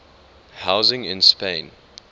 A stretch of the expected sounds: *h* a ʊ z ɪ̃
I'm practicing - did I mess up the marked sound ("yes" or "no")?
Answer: no